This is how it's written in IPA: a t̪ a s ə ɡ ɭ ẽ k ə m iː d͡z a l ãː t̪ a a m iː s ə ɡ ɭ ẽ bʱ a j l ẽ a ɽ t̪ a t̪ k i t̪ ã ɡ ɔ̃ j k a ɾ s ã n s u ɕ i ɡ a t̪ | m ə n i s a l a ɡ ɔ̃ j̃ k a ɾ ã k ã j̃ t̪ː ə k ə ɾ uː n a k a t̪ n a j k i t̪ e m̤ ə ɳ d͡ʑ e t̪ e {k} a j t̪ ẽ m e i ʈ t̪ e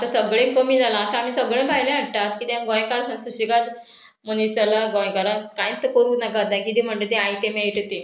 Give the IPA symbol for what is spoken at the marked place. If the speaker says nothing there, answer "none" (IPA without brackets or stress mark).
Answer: none